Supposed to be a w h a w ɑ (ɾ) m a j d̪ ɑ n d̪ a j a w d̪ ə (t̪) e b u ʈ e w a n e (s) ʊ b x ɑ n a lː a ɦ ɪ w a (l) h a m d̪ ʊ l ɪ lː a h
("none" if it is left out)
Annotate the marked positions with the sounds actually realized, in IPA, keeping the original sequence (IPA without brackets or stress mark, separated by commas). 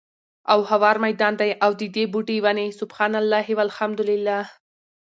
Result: ɾ, d̪, s, l